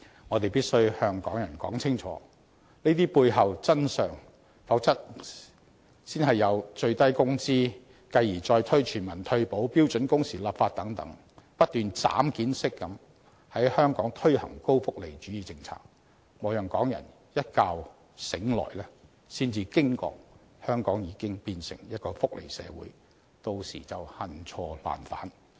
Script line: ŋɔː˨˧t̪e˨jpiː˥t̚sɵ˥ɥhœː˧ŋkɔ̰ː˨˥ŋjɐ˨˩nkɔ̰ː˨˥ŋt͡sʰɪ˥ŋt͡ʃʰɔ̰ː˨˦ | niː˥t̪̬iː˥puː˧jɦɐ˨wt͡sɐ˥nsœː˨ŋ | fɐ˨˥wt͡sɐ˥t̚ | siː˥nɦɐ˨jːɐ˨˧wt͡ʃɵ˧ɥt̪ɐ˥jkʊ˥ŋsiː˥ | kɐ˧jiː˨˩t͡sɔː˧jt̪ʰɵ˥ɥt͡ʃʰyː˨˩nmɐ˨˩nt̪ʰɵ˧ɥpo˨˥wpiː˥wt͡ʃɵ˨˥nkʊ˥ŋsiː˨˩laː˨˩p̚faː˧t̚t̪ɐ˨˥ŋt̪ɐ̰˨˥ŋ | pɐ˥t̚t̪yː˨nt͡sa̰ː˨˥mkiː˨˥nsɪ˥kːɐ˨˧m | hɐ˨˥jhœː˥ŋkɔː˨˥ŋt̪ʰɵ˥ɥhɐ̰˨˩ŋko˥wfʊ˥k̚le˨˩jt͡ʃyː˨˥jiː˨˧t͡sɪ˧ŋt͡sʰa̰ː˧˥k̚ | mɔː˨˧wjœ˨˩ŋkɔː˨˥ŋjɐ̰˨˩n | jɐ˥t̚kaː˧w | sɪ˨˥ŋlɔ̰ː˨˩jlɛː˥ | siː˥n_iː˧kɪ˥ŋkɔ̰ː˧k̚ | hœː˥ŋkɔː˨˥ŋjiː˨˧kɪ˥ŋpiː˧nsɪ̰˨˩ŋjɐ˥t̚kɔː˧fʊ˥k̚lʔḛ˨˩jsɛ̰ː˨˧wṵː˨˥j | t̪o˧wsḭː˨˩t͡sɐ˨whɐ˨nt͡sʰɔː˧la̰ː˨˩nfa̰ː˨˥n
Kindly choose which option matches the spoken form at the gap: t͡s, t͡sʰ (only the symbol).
t͡s